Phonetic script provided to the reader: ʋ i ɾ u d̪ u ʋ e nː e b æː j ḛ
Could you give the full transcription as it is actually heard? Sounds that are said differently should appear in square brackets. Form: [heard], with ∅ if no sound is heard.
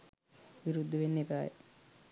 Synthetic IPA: ʋ i ɾ u [d̪ː] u ʋ e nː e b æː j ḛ